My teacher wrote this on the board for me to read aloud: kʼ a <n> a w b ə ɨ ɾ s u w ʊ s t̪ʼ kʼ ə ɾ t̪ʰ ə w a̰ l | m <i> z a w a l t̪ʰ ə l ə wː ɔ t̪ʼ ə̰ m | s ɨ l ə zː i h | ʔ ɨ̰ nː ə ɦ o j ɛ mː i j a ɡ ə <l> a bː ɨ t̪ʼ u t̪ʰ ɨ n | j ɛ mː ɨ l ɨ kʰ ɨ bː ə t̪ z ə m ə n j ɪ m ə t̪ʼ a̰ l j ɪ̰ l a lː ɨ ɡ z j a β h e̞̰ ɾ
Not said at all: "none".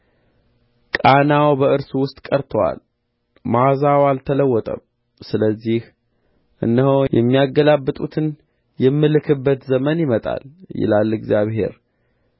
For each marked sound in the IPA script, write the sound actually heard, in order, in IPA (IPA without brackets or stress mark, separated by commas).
n, a, l